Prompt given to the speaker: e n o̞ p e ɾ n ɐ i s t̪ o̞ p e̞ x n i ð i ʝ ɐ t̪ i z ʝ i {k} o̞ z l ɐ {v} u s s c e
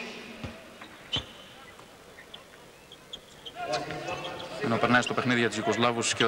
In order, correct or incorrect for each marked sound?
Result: correct, correct

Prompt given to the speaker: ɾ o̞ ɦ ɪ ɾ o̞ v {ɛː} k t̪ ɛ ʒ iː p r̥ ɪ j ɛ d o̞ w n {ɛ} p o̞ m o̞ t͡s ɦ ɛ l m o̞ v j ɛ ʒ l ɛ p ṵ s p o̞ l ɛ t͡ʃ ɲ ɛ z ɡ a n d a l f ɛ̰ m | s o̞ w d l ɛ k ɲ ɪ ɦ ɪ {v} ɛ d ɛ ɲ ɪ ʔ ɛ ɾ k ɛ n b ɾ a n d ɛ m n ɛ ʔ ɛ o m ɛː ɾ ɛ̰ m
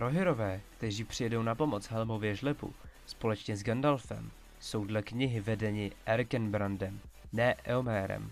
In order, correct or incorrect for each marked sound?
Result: correct, incorrect: a, correct

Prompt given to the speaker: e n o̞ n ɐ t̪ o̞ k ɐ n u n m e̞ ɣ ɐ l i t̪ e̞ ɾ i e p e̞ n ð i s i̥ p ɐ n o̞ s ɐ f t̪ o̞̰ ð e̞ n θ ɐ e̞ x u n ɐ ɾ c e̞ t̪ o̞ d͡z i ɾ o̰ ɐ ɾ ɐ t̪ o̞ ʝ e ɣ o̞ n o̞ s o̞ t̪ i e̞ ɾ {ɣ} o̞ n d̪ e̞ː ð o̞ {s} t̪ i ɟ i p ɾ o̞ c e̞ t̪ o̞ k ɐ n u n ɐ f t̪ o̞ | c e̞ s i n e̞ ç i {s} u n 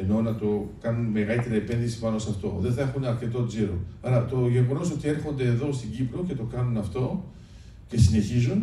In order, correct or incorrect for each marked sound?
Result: incorrect: x, correct, incorrect: z

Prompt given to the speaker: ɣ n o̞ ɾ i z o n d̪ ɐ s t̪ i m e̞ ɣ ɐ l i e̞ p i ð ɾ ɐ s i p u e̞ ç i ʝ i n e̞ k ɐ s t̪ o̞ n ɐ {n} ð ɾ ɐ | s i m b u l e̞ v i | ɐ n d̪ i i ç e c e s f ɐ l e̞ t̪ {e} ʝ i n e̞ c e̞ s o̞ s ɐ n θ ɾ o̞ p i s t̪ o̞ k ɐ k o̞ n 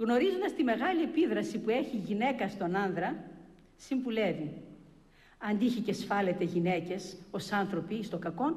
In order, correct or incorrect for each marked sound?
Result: correct, correct

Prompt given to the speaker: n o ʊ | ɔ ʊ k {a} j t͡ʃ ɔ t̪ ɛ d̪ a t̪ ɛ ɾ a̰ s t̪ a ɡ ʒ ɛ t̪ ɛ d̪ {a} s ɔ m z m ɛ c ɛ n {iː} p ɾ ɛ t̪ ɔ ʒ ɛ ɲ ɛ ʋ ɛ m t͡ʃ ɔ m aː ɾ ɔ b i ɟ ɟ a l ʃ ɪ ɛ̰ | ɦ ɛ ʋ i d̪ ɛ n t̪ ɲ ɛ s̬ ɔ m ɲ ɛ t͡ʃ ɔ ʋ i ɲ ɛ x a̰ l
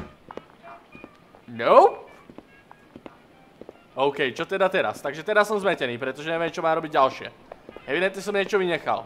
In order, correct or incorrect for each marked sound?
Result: incorrect: ɛ, correct, correct

